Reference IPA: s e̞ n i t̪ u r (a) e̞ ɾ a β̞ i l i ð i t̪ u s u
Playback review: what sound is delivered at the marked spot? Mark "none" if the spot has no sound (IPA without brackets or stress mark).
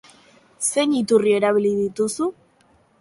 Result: i